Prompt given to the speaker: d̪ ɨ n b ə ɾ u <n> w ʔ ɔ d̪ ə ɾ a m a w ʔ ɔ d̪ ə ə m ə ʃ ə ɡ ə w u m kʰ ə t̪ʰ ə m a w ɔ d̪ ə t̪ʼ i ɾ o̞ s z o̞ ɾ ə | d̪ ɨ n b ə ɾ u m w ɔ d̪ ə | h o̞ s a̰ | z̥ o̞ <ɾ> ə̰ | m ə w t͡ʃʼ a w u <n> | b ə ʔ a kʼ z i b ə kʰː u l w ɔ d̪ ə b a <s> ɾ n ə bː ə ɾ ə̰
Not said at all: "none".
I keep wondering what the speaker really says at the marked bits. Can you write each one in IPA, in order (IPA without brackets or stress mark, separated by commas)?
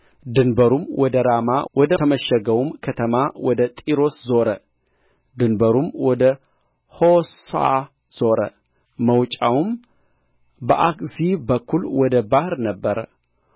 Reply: m, ɾ, m, h